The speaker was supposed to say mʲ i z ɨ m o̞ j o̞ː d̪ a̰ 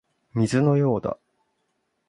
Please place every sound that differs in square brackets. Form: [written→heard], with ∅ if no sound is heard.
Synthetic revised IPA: mʲ i z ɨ [m→n] o̞ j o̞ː d̪ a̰